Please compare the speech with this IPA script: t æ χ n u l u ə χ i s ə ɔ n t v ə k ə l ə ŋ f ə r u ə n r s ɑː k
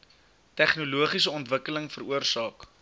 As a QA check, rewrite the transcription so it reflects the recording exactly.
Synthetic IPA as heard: t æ χ n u l u ə χ i s ə ɔ n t v ə k ə l ə ŋ f ə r u ə r s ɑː k

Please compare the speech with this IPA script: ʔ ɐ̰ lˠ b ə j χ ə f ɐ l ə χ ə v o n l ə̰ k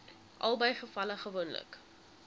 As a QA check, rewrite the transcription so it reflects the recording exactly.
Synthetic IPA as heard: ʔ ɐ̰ lˠ b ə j χ ə f ɐ l ə χ ə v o n l ə̰ k

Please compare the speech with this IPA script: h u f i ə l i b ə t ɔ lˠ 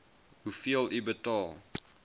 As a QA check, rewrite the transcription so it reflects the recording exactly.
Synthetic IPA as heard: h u f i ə l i b ə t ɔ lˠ

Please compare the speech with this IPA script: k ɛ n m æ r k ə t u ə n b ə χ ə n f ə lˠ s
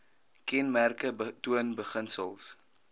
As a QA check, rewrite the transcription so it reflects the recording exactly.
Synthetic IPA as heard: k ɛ n m æ r k ə t u ə n b ə χ ə n s ə lˠ s

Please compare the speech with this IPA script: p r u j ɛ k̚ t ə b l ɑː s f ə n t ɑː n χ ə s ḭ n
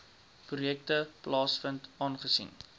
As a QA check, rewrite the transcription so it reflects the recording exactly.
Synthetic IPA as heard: p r u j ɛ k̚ t ə p l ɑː s f ə n t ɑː n χ ə s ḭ n

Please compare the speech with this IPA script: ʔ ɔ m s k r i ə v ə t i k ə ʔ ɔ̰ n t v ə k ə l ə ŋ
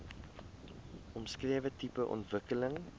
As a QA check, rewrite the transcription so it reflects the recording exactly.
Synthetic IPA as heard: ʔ ɔ m s k r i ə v ə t i p ə ʔ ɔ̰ n t v ə k ə l ə ŋ

